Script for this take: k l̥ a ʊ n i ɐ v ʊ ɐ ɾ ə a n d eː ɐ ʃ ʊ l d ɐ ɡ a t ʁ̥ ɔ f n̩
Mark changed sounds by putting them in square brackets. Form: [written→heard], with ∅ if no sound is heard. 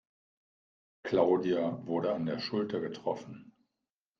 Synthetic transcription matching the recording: k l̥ a ʊ [n→d] i [ɐ→a] v ʊ ɐ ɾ ə a n d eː ɐ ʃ ʊ l [d→t] ɐ ɡ [a→ə] t ʁ̥ ɔ f n̩